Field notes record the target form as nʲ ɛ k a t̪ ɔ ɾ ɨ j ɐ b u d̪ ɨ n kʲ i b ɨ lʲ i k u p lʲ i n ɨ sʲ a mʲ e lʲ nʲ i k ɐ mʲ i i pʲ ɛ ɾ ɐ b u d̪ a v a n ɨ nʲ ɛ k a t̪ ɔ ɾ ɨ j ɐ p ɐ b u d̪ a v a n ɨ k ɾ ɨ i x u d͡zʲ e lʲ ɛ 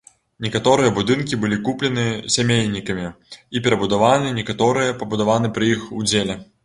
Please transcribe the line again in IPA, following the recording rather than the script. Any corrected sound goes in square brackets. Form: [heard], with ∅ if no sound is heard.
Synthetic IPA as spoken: nʲ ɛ k a t̪ ɔ ɾ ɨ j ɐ b u d̪ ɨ n kʲ i b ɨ lʲ i k u p lʲ [ɛ] n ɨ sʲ a mʲ e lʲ nʲ i k ɐ mʲ i i pʲ ɛ ɾ ɐ b u d̪ a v a n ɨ nʲ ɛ k a t̪ ɔ ɾ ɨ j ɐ p ɐ b u d̪ a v a n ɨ [p] ɾ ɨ i x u d͡zʲ e lʲ ɛ